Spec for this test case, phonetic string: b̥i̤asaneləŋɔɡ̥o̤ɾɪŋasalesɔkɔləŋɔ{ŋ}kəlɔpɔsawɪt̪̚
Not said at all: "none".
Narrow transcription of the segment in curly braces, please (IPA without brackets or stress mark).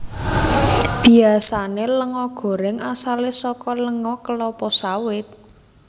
none